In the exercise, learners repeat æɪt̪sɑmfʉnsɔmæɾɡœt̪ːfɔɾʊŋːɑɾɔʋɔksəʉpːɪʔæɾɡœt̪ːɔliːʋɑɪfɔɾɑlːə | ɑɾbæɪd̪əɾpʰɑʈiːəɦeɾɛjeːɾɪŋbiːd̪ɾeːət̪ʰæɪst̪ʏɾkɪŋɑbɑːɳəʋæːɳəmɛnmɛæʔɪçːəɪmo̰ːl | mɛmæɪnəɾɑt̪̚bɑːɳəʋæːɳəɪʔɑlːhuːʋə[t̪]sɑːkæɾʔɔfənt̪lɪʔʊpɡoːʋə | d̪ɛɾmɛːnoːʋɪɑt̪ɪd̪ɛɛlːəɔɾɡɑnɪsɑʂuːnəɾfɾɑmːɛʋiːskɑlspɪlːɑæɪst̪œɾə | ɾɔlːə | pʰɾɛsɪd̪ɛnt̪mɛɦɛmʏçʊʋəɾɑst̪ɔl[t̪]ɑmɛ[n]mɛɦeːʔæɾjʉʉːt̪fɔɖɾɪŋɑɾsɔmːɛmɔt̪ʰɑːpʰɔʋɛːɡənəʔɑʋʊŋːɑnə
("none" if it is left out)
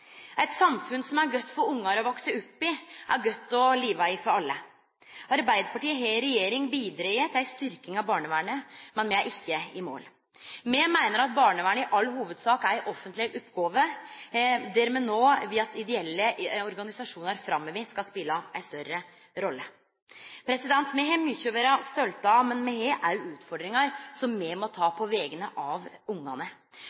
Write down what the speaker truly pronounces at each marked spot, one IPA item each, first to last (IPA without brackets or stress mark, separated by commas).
d̪, t̪, n